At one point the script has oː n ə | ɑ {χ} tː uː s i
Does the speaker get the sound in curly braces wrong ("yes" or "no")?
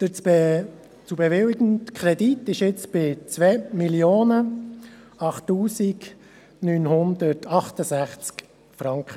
no